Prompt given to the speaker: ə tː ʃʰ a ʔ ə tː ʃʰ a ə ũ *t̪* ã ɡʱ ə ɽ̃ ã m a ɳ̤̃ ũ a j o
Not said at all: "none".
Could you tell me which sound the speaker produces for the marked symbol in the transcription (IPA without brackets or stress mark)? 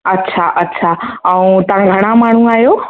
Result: t̪